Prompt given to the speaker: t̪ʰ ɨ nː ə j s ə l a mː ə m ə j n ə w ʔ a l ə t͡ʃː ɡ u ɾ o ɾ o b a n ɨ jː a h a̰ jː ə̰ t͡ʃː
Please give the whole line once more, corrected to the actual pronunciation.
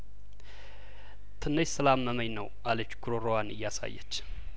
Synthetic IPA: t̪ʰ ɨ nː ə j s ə l a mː ə m ə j n ə w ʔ a l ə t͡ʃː ɡ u ɾ o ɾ o w a n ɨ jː a s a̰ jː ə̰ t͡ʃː